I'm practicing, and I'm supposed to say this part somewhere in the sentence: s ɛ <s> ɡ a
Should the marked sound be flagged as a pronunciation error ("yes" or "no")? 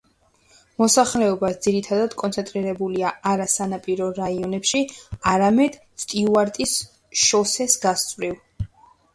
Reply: no